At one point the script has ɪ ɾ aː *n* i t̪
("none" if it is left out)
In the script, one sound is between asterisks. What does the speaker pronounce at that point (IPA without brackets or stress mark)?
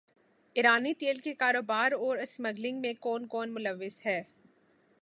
n